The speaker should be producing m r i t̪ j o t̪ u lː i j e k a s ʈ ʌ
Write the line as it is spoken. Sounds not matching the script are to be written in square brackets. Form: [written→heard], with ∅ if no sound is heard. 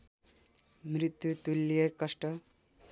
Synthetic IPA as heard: m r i t̪ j [o→u] t̪ u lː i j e k [a→ʌ] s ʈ ʌ